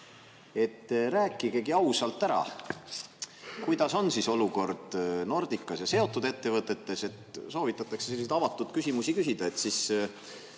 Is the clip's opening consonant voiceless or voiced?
voiceless